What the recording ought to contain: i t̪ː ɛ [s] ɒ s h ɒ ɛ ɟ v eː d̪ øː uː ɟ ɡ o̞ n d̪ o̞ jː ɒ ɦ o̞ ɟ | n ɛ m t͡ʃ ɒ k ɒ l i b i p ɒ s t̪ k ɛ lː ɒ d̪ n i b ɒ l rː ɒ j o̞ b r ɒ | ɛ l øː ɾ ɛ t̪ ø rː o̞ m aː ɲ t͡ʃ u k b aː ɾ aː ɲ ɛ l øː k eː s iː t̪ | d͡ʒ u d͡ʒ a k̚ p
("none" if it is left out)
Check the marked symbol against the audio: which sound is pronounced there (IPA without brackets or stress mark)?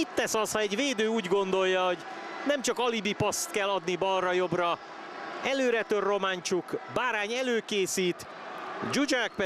s